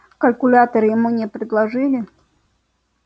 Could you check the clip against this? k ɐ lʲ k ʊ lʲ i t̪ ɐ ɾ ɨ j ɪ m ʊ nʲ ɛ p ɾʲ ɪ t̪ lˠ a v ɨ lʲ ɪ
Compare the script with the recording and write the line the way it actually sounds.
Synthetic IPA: k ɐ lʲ k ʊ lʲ a t̪ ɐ ɾ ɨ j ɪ m u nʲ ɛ p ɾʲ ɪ d̪ lˠ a ʐ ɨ lʲ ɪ